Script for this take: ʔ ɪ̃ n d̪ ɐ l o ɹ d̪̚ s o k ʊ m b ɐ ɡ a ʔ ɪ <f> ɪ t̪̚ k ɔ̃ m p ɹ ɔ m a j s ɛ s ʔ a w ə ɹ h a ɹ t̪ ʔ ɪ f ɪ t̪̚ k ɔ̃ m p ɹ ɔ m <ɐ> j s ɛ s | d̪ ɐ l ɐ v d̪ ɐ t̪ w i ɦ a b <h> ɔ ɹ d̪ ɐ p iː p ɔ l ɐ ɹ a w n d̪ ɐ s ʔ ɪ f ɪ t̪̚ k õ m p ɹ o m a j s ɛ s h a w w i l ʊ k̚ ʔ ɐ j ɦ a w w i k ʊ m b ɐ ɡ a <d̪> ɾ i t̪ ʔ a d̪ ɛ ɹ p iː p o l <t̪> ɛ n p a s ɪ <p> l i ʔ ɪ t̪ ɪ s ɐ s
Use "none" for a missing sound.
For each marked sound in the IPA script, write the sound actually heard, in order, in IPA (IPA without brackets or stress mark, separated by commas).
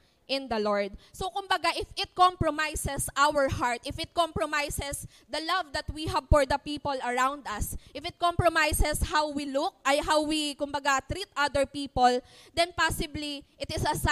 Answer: f, a, f, t̪, d̪, b